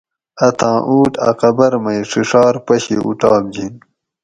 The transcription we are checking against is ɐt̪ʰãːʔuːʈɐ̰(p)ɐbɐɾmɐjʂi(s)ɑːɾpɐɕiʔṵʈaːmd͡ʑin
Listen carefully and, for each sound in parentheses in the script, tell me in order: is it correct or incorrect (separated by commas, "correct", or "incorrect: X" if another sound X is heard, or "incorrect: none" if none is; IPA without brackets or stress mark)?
incorrect: q, incorrect: ʂ